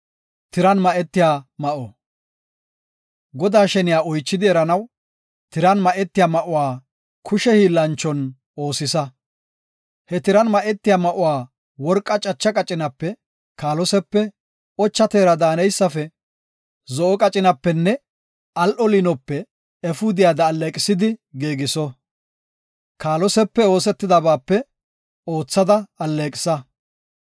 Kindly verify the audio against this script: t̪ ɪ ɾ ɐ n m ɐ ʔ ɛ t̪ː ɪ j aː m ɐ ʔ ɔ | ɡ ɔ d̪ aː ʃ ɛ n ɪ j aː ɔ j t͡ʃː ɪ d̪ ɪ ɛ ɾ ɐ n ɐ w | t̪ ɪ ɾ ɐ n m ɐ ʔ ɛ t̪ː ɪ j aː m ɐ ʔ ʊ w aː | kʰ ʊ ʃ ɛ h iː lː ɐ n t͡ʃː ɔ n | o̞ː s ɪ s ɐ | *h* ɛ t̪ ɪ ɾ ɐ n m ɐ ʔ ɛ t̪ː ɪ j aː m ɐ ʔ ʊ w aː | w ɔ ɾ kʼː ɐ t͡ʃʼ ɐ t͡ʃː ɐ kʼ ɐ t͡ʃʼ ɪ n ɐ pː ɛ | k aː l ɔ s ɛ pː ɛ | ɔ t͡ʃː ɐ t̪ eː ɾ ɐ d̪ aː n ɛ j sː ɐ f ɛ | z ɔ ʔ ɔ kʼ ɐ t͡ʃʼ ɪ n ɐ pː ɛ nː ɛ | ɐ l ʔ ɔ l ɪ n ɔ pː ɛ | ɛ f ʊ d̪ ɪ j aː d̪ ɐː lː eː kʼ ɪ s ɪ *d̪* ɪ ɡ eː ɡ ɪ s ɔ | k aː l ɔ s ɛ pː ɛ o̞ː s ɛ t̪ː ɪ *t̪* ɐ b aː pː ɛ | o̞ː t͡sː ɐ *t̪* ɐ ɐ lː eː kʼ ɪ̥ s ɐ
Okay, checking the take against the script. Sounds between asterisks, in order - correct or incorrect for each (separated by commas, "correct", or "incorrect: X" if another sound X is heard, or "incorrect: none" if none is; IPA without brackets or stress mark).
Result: correct, correct, incorrect: d̪, incorrect: d̪